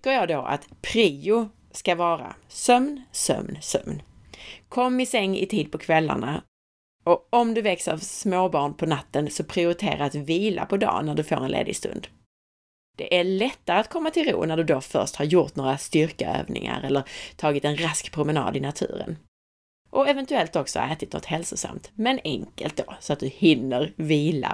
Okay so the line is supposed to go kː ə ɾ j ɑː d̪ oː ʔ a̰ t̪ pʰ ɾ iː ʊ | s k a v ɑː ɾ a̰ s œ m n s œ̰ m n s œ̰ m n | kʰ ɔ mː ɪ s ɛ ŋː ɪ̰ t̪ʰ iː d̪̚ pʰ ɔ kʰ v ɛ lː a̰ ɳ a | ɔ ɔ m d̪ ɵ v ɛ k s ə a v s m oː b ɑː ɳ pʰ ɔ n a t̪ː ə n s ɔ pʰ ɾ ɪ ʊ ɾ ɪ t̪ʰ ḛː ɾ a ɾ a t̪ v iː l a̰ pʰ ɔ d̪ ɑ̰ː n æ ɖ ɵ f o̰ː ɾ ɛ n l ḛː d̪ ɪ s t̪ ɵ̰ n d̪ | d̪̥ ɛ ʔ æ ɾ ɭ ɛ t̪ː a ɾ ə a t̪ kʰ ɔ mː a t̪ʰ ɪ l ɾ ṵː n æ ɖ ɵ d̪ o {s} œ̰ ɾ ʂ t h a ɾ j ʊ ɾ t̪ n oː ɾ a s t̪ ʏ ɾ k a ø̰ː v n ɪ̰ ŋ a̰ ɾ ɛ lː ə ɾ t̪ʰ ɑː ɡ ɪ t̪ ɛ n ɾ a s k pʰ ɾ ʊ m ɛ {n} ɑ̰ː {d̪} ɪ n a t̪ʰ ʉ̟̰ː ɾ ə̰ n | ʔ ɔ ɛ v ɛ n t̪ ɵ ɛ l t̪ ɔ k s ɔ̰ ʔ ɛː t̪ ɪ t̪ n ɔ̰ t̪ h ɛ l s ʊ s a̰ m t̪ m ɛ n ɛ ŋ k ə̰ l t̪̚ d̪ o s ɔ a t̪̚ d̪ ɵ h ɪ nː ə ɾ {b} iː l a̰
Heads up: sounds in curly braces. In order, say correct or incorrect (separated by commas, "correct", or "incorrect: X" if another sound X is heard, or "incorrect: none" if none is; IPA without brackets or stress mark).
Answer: incorrect: f, correct, correct, incorrect: v